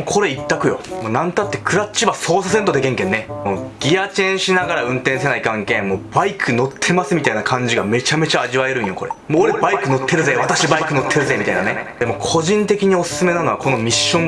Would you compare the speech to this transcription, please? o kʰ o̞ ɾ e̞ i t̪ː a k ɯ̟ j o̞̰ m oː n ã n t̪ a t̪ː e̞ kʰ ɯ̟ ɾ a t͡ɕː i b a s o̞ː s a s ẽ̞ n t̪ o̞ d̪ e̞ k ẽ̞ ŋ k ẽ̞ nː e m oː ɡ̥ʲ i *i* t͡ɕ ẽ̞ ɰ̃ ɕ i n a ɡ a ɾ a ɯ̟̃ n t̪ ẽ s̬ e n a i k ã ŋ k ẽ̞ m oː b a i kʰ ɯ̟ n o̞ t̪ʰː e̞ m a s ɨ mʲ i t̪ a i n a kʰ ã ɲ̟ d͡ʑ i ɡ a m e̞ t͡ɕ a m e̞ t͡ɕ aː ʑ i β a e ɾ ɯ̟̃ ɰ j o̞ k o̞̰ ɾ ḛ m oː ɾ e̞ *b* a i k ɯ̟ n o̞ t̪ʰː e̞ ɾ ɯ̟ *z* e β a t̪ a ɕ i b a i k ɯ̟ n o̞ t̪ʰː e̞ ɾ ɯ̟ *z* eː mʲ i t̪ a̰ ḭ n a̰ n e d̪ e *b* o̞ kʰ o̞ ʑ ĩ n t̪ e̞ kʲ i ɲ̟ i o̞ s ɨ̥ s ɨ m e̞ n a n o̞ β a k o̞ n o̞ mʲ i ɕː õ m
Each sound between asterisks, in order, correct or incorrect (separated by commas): incorrect, correct, correct, correct, incorrect